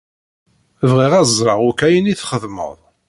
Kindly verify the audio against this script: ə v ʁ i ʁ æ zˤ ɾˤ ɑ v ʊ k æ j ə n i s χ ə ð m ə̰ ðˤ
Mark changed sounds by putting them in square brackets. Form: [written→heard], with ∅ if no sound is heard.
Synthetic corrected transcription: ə v ʁ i ʁ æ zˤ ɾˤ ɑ [v→ʁ] ʊ k æ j ə n i [s→θ] χ ə ð m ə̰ ðˤ